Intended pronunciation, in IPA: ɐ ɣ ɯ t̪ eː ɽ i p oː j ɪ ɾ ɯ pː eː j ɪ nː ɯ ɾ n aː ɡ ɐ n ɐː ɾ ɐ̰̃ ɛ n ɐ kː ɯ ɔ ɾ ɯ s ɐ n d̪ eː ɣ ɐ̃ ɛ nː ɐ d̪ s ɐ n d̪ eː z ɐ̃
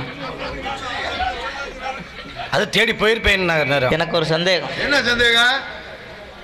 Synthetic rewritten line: ɐ ð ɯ t̪ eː ɽ i p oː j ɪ ɾ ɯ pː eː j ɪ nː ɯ n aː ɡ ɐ n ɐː ɾ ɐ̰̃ ɛ n ɐ kː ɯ ɔ ɾ ɯ s ɐ n d̪ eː ɣ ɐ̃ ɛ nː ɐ s ɐ n d̪ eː ɣ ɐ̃

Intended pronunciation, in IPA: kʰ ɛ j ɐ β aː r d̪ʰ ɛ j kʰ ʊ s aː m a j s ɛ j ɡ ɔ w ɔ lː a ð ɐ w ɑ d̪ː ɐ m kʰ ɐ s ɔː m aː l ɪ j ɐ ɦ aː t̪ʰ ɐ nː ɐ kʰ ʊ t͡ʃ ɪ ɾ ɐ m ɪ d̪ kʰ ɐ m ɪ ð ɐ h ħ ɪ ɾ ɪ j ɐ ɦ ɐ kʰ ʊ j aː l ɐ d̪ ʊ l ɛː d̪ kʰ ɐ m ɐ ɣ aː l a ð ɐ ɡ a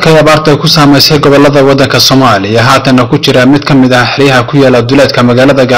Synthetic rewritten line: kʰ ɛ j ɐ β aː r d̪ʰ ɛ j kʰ ʊ s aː m ɛ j s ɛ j ɡ ɔ β ɔ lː ɐ ð ɐ w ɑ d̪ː ɐ ŋ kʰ ɐ s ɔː m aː l ɪ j ɐ ɦ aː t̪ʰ ɐ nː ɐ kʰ ʊ t͡ʃ ɪ ɾ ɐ m ɪ d̪ kʰ ɐ m ɪ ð ɐ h ħ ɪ ɾ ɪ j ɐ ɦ ɐ kʰ ʊ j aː l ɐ d̪ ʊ l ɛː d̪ kʰ ɐ m ɐ ɣ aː l ɐ ð ɐ ɡ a

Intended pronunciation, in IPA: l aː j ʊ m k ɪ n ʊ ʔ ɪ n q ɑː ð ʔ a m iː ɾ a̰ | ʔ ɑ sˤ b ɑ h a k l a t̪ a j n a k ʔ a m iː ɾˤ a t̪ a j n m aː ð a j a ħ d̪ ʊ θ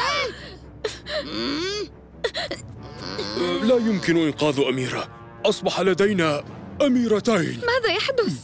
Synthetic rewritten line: l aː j ʊ m k ɪ n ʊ ʔ ɪ n q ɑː ð ʔ a m iː ɾ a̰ | ʔ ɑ sˤ b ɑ ħ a l a d̪ a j n a ʔ a m iː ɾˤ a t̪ a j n m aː ð a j a ħ d̪ ʊ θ

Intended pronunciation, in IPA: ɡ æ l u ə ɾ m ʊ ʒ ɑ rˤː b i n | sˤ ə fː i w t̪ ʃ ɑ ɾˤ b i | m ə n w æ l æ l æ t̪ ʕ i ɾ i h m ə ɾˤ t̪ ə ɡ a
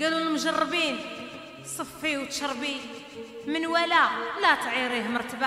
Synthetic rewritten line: ɡ æ l u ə l m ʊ ʒ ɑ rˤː b i n | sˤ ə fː i w t̪ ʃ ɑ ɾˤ b i | m ə n w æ l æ l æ t̪ ʕ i ɾ i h m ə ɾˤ t̪ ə b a

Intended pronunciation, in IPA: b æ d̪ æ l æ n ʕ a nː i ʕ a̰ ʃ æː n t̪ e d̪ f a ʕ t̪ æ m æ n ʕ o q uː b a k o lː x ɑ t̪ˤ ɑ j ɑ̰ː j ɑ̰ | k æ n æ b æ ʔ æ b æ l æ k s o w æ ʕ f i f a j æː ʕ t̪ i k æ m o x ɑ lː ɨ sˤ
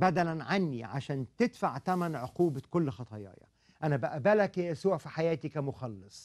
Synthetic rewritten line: b æ d̪ æ l æ n ʕ a nː i ʕ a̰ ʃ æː n t̪ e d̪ f a ʕ t̪ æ m æ n ʕ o q uː b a k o lː x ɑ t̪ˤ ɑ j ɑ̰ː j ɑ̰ | ʔ æ n æ b æ ʔ æ b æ l æ k s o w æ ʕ f i ħ a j æː t̪ i k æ m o x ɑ lː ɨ sˤ

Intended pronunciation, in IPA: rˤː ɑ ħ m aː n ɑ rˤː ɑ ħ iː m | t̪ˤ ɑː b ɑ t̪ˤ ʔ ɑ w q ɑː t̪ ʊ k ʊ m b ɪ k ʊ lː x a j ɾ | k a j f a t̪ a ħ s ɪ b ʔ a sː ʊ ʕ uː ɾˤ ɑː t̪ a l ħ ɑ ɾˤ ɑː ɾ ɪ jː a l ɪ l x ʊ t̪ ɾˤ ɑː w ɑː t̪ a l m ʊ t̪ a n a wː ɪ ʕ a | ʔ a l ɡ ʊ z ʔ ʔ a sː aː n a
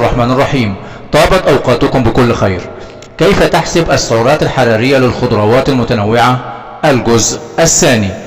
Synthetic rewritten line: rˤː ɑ ħ m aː n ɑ rˤː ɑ ħ iː m | t̪ˤ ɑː b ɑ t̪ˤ ʔ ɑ w q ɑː t̪ ʊ k ʊ m b ɪ k ʊ lː x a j ɾ | k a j f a t̪ a ħ s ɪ b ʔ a sː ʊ ʕ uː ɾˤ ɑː t̪ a l ħ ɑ ɾˤ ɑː ɾ ɪ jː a l ɪ l x ʊ d̪ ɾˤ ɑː w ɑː t̪ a l m ʊ t̪ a n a wː ɪ ʕ a | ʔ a l ɡ ʊ z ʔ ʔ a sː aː n i

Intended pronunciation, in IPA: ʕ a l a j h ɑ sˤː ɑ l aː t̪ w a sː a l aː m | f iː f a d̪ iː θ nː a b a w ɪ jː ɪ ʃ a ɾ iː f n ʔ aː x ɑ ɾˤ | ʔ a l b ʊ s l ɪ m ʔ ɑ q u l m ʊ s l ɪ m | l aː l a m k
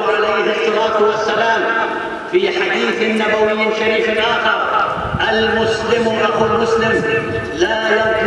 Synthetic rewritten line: ʕ a l a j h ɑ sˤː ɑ l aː t̪ w a sː a l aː m | f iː ħ a d̪ iː θ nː a b a w ɪ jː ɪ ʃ a ɾ iː f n ʔ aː x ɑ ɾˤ | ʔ a l m ʊ s l ɪ m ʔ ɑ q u l m ʊ s l ɪ m | l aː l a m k

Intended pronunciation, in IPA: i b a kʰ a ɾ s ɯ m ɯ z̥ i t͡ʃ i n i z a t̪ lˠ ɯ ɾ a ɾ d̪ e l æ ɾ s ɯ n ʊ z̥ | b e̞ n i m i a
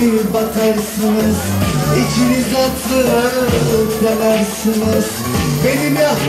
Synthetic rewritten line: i b a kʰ a ɾ s ɯ n ɯ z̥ i t͡ʃ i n i z a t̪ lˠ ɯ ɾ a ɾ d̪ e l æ ɾ s ɯ n ɯ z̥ | b e̞ n i m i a

